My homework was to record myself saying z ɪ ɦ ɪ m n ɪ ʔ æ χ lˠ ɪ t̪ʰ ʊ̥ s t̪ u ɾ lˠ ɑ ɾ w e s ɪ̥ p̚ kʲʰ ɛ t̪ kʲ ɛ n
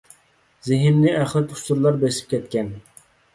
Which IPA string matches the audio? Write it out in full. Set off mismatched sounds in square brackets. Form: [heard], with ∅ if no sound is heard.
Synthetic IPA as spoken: z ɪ ɦ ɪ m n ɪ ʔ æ χ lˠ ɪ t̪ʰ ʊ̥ s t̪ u ɾ lˠ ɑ ɾ [b] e s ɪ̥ p̚ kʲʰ ɛ t̪ kʲ ɛ n